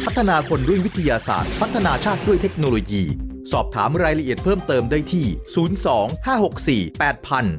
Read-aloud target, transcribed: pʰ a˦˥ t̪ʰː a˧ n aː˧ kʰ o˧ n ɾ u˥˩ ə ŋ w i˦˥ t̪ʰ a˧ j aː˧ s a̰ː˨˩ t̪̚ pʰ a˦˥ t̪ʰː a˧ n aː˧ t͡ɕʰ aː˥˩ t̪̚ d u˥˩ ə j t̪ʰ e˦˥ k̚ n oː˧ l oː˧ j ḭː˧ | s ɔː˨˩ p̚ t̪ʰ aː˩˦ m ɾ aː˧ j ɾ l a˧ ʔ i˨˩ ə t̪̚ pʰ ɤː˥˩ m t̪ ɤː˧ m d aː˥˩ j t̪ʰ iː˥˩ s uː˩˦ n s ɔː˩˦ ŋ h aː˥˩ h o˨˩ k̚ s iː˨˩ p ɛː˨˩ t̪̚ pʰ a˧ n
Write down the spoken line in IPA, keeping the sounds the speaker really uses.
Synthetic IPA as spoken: pʰ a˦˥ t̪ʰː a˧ n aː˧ kʰ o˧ n ɾ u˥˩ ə ŋ w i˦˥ t̪ʰ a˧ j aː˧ s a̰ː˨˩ t̪̚ pʰ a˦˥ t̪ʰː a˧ n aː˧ t͡ɕʰ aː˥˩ t̪̚ d u˥˩ ə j t̪ʰ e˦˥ k̚ n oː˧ l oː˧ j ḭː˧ | s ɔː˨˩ p̚ t̪ʰ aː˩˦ m ɾ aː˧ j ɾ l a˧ ʔ i˨˩ ə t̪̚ pʰ ɤː˥˩ m t̪ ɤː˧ m d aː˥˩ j t̪ʰ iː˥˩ s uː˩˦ n s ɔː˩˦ ŋ h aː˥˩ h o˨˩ k̚ s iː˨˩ p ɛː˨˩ t̪̚ pʰ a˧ n